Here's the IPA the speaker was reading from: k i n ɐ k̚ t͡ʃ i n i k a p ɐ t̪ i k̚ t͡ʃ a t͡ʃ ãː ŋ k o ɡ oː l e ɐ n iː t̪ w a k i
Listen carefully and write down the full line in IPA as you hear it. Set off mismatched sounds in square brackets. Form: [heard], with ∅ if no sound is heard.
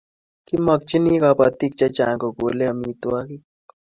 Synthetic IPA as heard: k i [m] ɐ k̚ t͡ʃ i n i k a p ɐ t̪ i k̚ t͡ʃ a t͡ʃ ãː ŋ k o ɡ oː l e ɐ [m] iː t̪ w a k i